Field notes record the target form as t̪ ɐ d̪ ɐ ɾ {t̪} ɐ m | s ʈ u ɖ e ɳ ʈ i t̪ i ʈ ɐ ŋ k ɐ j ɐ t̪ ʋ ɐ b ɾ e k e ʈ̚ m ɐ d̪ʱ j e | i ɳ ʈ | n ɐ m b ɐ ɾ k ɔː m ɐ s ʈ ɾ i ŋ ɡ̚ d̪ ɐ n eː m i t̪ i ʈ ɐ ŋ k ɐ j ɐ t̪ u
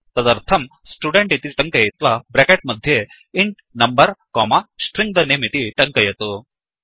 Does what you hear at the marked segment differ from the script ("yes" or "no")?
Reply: yes